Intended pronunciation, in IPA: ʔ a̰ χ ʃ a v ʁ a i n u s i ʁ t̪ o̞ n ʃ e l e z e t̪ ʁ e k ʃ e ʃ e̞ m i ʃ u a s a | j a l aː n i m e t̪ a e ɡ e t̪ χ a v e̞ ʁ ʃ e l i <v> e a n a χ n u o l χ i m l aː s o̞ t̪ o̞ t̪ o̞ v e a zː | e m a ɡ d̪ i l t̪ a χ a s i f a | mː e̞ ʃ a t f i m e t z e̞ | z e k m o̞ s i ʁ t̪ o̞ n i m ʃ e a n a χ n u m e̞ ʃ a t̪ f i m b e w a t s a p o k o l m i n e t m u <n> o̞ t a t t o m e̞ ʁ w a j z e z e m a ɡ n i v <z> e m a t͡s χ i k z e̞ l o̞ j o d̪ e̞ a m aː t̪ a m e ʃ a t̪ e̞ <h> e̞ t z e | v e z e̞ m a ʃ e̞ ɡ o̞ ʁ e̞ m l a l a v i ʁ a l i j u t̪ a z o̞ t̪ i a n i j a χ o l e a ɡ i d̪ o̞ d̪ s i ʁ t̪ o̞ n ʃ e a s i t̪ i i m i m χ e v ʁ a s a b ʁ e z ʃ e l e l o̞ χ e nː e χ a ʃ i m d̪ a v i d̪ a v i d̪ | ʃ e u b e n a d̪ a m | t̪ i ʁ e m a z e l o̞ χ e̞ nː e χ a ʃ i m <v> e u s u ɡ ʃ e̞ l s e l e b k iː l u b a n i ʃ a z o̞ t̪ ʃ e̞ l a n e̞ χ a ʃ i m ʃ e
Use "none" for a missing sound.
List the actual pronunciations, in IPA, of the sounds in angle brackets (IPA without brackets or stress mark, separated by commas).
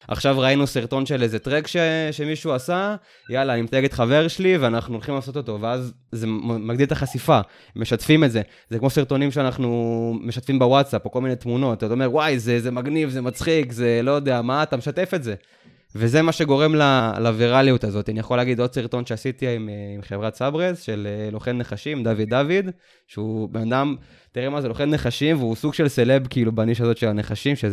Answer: v, n, z, f, v